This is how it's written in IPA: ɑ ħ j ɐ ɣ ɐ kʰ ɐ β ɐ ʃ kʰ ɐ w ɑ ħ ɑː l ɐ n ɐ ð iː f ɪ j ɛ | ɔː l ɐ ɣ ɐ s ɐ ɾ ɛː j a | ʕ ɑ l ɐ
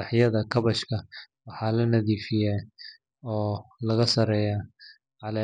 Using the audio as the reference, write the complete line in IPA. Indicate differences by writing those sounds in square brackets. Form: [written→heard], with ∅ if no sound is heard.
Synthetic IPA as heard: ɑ ħ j ɐ [ɣ→ð] ɐ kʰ ɐ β ɐ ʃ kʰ ɐ w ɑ ħ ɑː l ɐ n ɐ ð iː f ɪ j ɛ | ɔː l ɐ ɣ ɐ s ɐ ɾ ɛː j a | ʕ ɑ l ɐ

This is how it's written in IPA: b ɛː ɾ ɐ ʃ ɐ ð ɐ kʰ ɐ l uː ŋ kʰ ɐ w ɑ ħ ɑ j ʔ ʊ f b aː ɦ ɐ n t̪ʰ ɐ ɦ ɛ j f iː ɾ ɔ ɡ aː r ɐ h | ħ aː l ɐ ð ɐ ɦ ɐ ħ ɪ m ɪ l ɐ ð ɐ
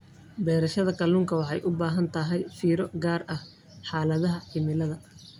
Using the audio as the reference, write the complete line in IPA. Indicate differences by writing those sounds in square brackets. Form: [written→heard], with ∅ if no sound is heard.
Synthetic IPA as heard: b ɛː ɾ ɐ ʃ ɐ ð ɐ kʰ ɐ l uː ŋ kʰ ɐ w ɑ ħ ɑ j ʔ ʊ [f→∅] b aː ɦ ɐ n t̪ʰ ɐ ɦ ɛ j f iː ɾ ɔ ɡ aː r ɐ h | ħ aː l ɐ ð ɐ ɦ ɐ ħ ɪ m ɪ l ɐ ð ɐ

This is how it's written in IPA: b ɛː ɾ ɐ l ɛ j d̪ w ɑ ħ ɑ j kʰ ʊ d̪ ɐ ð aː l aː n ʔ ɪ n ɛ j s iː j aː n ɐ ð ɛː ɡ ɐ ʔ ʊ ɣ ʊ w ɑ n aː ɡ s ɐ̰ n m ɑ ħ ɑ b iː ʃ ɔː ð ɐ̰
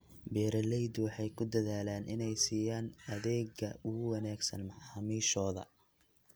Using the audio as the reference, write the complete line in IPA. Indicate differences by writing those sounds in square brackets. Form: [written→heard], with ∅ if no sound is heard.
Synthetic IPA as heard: b ɛː ɾ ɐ l ɛ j d̪ w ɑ ħ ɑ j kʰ ʊ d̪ ɐ ð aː l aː n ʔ ɪ n ɛ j s iː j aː n ɐ ð ɛː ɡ ɐ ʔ ʊ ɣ ʊ w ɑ n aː ɡ s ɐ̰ n m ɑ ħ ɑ [b→m] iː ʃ ɔː ð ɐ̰

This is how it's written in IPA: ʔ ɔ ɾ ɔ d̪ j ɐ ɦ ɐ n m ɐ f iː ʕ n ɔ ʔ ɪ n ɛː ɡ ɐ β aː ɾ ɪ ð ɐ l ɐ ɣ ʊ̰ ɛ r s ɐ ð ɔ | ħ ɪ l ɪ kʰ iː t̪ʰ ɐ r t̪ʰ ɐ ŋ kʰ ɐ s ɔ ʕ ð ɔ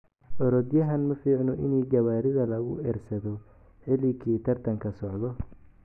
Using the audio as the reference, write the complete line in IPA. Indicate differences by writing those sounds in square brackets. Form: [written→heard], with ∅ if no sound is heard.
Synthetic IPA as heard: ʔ ɔ ɾ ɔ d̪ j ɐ ɦ ɐ n m ɐ f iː ʕ n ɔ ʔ ɪ n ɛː ɡ ɐ β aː ɾ ɪ ð ɐ l ɐ ɣ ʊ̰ ɛ r s ɐ ð ɔ | ħ ɪ l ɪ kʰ iː t̪ʰ ɐ r t̪ʰ ɐ ŋ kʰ ɐ s ɔ ʕ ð ɔ

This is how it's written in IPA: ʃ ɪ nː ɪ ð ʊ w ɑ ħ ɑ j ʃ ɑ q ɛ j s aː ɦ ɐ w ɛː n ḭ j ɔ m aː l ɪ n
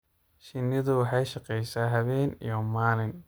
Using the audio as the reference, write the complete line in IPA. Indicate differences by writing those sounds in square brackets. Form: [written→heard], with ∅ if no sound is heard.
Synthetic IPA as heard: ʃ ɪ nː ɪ ð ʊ w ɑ ħ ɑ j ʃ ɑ q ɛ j s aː ɦ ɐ [w→β] ɛː n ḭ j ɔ m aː l ɪ n

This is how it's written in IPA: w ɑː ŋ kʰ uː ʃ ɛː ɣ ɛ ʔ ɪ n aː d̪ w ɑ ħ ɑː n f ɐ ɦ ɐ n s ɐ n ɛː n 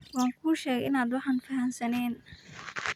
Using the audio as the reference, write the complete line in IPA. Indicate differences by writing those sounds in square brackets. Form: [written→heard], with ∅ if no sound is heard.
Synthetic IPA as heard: w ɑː ŋ kʰ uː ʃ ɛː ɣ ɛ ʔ ɪ n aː d̪ w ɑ ħ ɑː n f ɐ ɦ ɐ n s ɐ n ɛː n

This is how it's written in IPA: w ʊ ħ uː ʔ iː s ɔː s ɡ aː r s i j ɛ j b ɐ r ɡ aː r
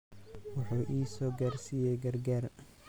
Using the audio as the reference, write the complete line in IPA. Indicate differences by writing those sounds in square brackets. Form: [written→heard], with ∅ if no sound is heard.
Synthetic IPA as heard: w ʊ ħ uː ʔ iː s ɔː [s→∅] ɡ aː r s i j ɛ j [b→ɡ] ɐ r ɡ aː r

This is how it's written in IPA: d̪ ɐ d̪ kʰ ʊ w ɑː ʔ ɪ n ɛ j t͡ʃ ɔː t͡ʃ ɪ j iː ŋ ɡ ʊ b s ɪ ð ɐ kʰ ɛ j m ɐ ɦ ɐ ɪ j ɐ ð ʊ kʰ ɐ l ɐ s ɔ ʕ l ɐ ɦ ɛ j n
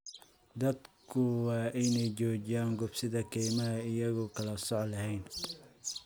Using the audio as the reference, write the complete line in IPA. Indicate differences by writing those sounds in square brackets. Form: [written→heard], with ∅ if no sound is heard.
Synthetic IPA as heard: d̪ ɐ d̪ kʰ ʊ w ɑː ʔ ɪ n ɛ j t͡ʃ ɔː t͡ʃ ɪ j [iː→aː] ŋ ɡ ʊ b s ɪ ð ɐ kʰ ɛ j m ɐ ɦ ɐ ɪ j ɐ [ð→ɣ] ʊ kʰ ɐ l ɐ s ɔ ʕ l ɐ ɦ ɛ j n

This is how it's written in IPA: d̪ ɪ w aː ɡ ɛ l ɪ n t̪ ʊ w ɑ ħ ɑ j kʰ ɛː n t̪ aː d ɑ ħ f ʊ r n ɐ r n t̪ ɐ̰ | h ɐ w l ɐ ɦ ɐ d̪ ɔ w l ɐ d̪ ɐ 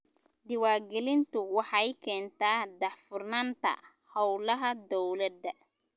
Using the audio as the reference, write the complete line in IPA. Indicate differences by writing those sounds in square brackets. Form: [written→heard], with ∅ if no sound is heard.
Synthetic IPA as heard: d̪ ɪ w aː ɡ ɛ l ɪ n t̪ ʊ w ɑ ħ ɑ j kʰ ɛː n t̪ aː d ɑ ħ f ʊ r n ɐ [r→∅] n t̪ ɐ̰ | h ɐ w l ɐ ɦ ɐ d̪ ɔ w l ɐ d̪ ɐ

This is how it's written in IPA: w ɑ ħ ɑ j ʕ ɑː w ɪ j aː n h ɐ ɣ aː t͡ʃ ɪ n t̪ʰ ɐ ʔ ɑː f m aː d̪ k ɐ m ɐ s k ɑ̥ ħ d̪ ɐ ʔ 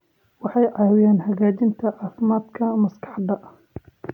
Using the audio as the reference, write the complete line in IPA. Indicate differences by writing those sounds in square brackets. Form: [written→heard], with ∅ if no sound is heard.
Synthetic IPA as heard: w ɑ ħ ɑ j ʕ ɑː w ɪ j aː n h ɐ ɣ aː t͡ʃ ɪ n t̪ʰ ɐ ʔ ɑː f m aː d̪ [k→kʰ] ɐ m ɐ s k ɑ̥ ħ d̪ ɐ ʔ

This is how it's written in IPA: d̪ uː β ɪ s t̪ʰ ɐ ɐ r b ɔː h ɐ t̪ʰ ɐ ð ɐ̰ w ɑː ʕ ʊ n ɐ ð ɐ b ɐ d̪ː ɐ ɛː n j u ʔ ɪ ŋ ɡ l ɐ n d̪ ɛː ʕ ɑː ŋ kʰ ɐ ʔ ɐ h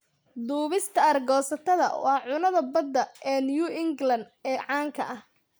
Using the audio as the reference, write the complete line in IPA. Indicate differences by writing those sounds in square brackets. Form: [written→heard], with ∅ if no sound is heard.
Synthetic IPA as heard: d̪ uː β ɪ s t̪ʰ ɐ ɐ r [b→ɡ] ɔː [h→s] ɐ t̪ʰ ɐ ð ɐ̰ w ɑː ʕ ʊ n ɐ ð ɐ b ɐ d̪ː ɐ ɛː n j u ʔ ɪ ŋ ɡ l ɐ n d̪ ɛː ʕ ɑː ŋ kʰ ɐ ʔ ɐ h

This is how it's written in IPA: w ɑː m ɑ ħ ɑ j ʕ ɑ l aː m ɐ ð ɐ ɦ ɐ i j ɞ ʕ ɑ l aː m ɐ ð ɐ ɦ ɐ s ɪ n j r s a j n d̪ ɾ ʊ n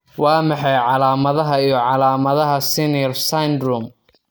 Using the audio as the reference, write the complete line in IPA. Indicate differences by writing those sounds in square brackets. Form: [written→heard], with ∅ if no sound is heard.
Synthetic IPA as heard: w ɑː m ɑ ħ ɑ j ʕ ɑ l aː m ɐ ð ɐ ɦ ɐ i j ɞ ʕ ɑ l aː m ɐ ð ɐ ɦ ɐ s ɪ n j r s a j n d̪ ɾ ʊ [n→m]

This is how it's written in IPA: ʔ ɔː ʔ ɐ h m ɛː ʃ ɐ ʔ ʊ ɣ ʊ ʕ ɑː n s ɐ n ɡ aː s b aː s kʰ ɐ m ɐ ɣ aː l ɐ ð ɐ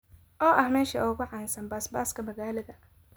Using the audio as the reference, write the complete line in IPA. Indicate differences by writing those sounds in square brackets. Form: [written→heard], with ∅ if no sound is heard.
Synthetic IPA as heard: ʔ ɔː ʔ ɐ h m ɛː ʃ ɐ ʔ ʊ ɣ ʊ ʕ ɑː n s ɐ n [ɡ→b] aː s b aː s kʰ ɐ m ɐ ɣ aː l ɐ ð ɐ

